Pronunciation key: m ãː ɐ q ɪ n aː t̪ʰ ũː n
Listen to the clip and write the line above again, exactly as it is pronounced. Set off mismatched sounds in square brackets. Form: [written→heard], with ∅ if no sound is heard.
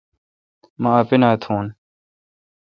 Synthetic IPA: m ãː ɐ [q→p] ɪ n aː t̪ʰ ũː n

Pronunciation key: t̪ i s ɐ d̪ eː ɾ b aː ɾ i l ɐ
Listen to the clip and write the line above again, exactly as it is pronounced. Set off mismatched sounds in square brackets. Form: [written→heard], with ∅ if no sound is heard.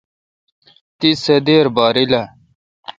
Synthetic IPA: t̪ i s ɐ d̪ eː ɾ b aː ɾ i l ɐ

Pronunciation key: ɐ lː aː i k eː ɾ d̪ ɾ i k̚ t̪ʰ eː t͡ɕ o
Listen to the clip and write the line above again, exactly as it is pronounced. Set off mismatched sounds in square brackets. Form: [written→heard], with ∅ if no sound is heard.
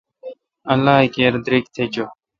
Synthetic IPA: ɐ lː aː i k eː ɾ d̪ ɾ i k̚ t̪ʰ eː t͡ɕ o

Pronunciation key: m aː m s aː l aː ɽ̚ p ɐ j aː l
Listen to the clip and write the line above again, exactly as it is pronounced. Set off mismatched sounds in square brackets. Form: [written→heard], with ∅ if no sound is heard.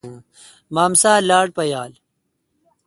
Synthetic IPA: m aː m s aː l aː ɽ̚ p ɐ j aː l

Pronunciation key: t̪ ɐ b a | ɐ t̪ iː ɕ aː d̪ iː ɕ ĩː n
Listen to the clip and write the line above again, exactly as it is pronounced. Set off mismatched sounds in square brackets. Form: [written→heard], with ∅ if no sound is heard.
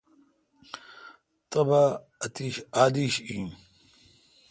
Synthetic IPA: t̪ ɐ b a | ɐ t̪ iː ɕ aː d̪ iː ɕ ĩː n

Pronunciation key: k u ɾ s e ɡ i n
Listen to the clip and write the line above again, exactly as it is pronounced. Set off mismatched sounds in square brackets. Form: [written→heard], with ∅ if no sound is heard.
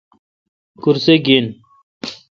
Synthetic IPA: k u ɾ s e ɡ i n

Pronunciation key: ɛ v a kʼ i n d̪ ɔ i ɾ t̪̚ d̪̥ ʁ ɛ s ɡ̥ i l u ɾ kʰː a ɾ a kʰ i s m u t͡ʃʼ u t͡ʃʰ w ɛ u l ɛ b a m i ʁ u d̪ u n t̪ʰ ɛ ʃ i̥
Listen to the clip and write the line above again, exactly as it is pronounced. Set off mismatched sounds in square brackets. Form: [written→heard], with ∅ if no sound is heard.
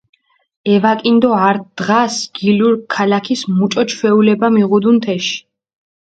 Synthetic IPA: ɛ v a kʼ i n d̪ ɔ [i→a] ɾ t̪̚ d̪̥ ʁ [ɛ→a] s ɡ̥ i l u ɾ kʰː a [ɾ→l] a kʰ i s m u t͡ʃʼ [u→ɔ] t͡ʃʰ w ɛ u l ɛ b a m i ʁ u d̪ u n t̪ʰ ɛ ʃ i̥

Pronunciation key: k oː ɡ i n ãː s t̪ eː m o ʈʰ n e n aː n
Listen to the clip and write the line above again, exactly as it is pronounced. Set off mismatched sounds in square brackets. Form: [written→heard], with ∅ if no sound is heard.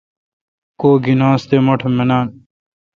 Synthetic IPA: k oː ɡ i n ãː s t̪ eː m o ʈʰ [n→m] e n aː n

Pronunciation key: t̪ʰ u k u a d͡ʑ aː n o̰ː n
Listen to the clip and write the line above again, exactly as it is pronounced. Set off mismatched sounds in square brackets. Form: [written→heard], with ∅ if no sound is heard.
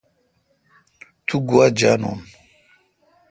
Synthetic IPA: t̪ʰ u [k→ɡ] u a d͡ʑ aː n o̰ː n

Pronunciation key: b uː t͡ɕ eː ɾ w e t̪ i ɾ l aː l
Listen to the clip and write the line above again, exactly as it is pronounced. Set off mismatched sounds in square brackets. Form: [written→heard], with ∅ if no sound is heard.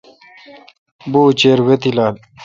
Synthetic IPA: b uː t͡ɕ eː ɾ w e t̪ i [ɾ→∅] l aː l

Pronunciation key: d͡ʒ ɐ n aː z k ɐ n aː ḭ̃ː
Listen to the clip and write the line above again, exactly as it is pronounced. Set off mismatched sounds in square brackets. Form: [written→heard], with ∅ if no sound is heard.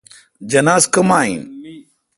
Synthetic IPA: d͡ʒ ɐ n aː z k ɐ [n→m] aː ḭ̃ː

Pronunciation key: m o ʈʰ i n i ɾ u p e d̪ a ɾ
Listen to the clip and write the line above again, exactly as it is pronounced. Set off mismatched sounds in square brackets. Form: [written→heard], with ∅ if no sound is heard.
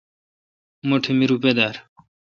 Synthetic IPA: m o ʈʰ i [n→m] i ɾ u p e d̪ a ɾ

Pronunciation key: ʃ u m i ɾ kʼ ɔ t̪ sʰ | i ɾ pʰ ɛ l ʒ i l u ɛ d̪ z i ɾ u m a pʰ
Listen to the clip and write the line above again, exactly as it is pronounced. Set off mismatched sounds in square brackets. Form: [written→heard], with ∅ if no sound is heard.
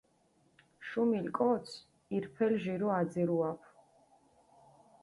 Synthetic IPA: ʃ u m i [ɾ→l] kʼ ɔ t̪ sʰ | i ɾ pʰ ɛ l ʒ i [l→ɾ] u [ɛ→a] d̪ z i ɾ u [m→∅] a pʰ

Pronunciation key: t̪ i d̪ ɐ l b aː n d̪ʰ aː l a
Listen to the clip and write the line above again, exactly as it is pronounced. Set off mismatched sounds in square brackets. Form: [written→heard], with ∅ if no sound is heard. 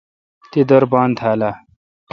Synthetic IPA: t̪ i d̪ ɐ [l→ɾ] b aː n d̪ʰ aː l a

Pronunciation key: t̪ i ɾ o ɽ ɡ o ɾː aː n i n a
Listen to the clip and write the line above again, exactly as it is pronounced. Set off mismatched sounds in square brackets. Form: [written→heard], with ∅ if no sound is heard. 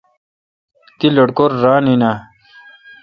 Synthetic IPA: t̪ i [ɾ→l] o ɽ [ɡ→k] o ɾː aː n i n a

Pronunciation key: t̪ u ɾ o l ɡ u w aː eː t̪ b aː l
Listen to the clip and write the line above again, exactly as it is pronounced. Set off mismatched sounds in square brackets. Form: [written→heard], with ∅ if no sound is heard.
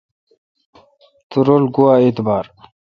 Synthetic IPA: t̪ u ɾ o l ɡ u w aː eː t̪ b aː [l→ɾ]

